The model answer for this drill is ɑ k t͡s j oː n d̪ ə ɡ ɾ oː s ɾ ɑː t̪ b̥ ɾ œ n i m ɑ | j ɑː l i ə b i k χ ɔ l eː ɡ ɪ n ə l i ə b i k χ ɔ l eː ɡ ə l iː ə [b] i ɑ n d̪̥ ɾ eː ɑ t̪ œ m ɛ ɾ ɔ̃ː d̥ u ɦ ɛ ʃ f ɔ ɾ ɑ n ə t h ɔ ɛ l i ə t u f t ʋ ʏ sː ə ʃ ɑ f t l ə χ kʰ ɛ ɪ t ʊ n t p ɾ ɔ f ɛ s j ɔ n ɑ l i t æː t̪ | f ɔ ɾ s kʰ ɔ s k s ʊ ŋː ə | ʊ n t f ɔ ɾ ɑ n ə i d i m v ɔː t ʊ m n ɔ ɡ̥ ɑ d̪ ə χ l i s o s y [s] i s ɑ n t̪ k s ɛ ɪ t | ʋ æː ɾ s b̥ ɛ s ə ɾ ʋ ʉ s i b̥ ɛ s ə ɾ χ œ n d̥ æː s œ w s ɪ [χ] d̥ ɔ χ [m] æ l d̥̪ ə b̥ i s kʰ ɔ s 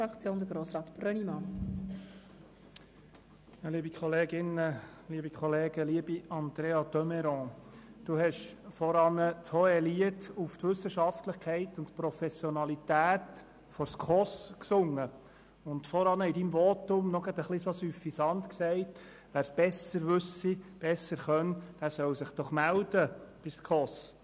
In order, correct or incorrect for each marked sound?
correct, incorrect, correct, correct

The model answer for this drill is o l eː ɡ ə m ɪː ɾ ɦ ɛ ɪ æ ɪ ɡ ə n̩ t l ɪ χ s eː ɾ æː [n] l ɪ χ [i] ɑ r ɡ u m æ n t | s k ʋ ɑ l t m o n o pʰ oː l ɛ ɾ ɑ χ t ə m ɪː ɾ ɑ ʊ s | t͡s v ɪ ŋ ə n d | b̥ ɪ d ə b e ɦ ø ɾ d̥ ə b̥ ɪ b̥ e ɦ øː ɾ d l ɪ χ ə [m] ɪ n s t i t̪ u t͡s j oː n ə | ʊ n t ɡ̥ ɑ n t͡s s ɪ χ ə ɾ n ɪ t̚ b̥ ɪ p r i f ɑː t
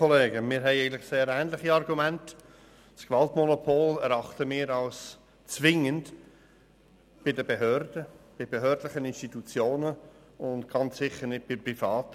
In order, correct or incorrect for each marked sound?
correct, correct, incorrect

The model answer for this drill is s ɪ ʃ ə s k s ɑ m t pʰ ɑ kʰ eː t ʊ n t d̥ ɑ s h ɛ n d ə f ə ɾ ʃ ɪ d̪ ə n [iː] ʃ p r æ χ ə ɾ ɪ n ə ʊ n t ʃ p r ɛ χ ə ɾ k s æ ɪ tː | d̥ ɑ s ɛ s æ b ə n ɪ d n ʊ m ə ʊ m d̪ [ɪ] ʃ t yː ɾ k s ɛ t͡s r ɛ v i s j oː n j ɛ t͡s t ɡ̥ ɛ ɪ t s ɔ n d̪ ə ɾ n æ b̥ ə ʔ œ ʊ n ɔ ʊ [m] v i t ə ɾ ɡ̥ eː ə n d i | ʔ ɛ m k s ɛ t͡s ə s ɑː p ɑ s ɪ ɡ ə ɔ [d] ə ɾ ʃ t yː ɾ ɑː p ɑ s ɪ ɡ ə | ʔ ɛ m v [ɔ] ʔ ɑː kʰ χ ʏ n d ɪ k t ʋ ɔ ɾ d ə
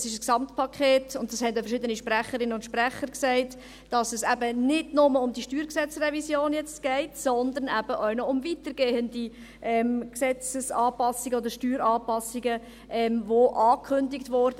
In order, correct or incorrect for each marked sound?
incorrect, incorrect, correct, correct, incorrect

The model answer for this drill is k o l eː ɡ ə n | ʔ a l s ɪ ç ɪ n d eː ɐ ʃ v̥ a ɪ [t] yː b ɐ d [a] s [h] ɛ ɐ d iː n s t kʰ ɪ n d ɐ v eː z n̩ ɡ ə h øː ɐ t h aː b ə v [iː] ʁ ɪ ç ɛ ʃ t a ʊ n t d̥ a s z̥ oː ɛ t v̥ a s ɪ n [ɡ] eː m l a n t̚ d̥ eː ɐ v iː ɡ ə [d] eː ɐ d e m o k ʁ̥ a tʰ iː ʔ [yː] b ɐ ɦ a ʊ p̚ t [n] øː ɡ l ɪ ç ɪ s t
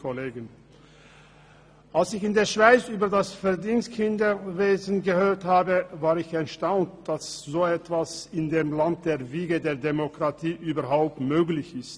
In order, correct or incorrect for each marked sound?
incorrect, correct, incorrect, incorrect, incorrect, correct, correct, incorrect

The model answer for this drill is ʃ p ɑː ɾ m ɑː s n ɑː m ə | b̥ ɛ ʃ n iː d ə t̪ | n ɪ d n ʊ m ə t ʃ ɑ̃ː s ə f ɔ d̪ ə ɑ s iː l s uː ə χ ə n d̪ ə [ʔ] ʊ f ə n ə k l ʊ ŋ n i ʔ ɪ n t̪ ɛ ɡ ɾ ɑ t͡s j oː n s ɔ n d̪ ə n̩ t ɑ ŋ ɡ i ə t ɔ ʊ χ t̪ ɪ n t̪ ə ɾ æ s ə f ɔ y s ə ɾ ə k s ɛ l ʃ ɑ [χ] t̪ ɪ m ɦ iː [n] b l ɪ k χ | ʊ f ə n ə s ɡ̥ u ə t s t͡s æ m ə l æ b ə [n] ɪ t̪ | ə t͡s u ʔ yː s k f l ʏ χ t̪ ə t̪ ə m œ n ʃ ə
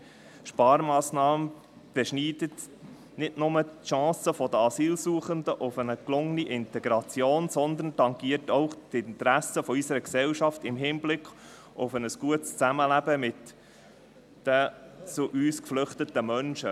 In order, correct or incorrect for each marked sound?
correct, incorrect, correct, incorrect

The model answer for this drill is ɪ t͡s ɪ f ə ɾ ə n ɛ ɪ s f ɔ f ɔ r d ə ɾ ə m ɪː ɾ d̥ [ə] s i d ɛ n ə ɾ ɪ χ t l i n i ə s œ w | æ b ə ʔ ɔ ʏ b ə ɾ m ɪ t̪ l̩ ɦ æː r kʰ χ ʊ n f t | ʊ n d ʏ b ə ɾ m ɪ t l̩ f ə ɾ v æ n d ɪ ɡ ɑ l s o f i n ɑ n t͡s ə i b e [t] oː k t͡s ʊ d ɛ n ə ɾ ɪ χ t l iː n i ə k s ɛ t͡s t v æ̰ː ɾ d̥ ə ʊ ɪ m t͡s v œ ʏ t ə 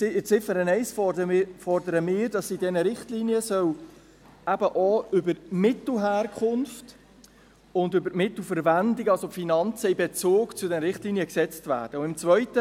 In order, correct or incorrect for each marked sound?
incorrect, incorrect

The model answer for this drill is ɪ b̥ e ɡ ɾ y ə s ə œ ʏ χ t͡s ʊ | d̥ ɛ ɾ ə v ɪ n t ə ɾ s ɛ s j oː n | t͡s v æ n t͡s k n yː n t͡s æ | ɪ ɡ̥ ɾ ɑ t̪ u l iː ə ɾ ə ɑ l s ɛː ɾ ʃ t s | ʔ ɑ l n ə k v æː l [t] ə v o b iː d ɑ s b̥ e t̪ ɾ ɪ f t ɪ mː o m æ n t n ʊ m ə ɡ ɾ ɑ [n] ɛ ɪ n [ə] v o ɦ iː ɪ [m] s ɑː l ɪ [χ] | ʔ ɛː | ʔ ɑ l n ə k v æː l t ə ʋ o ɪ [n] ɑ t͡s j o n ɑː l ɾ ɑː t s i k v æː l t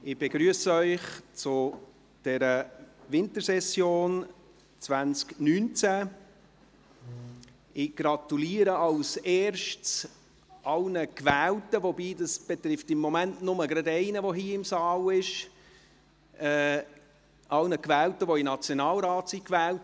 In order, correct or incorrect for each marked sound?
correct, incorrect, correct, correct, incorrect, correct

